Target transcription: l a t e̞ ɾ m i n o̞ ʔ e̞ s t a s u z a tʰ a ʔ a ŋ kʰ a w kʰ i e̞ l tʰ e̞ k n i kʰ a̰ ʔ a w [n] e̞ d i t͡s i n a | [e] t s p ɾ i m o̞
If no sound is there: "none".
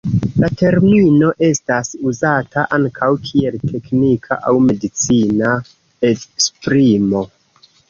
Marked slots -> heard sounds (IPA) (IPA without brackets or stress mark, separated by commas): m, e